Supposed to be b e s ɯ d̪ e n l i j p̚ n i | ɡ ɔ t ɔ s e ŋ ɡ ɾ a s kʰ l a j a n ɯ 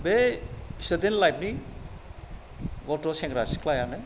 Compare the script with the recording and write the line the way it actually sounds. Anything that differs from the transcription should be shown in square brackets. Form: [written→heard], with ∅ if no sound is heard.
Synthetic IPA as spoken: b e s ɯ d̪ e n l [i→a] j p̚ n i | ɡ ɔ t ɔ s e ŋ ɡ ɾ a s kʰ l a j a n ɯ